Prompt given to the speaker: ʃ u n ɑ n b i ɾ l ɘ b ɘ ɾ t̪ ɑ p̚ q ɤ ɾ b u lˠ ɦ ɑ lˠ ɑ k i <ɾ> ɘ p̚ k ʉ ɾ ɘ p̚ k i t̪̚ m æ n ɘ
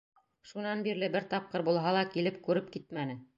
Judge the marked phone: incorrect: l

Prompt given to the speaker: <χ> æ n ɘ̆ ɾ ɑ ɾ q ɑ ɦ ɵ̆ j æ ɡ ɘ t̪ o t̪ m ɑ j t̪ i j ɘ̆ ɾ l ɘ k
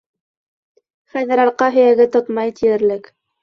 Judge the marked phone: correct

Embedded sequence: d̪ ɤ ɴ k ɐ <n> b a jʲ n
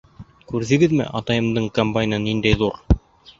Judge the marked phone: incorrect: m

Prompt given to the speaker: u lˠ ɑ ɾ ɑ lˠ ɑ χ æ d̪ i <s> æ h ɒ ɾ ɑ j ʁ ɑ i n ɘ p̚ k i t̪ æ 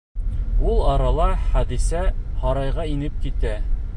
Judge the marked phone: correct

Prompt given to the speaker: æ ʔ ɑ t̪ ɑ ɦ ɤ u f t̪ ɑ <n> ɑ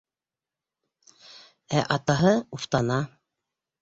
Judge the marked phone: correct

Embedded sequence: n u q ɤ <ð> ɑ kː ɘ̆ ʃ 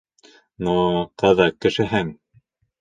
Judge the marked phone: correct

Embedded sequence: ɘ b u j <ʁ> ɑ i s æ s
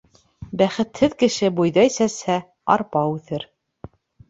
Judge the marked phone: incorrect: ð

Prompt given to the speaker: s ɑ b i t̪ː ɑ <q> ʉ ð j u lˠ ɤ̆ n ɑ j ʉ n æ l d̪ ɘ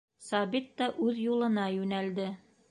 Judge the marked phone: incorrect: ʔ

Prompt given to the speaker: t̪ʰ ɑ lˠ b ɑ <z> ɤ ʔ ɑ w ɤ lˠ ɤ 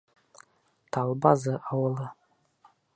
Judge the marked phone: correct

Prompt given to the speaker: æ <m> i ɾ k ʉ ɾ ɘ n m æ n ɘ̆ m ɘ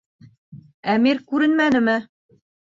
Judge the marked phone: correct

